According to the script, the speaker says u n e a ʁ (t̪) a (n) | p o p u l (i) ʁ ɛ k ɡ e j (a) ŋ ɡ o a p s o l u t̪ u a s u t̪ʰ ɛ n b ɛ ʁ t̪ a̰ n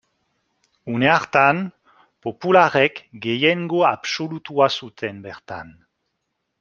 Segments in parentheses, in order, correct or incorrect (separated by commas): correct, correct, incorrect, incorrect